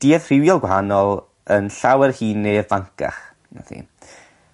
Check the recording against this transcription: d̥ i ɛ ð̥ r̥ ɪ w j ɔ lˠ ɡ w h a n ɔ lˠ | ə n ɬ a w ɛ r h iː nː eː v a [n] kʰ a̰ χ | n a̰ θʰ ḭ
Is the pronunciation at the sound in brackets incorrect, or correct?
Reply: incorrect